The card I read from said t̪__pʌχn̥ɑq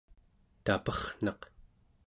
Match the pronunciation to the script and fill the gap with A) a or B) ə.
A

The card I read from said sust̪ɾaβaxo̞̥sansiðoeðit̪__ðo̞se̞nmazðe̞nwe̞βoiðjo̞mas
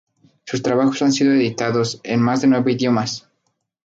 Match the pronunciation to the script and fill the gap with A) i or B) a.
B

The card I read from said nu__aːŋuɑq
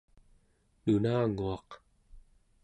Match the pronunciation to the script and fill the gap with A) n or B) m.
A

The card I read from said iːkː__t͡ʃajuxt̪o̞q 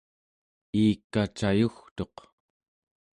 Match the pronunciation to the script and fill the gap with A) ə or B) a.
B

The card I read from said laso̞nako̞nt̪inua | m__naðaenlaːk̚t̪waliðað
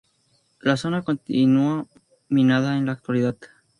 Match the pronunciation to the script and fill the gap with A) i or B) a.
A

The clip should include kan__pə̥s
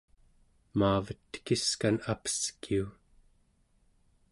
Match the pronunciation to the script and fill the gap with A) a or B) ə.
A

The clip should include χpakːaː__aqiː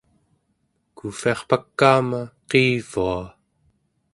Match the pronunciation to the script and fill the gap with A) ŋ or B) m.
B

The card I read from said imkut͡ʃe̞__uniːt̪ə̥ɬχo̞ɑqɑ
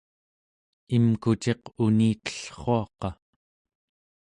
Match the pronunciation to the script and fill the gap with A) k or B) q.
B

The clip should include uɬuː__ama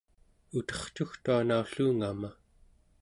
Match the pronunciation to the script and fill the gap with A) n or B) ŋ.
B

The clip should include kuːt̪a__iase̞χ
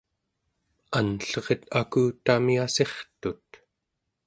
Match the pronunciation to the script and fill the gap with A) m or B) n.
A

